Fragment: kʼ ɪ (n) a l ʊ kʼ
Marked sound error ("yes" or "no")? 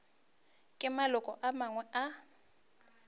yes